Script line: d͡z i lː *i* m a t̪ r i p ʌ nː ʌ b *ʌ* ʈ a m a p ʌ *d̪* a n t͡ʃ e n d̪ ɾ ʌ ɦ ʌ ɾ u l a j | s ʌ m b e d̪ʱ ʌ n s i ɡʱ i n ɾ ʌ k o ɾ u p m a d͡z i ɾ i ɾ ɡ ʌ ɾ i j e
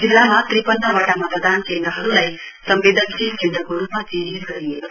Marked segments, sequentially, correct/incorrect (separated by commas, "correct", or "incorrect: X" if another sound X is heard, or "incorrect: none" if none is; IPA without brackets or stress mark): incorrect: a, incorrect: a, correct